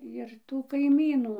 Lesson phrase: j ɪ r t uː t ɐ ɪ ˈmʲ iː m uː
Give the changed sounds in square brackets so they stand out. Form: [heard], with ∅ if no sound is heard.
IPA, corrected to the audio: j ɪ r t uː [k] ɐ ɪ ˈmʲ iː [n] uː